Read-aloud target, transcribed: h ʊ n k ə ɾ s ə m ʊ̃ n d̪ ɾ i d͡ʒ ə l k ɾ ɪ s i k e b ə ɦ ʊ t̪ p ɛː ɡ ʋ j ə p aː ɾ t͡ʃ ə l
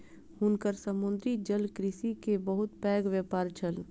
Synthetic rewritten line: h ʊ n k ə ɾ s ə m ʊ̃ n d̪ ɾ i d͡ʒ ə l k ɾ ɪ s i k e b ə ɦ ʊ t̪ p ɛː ɡ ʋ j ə p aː ɾ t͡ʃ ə l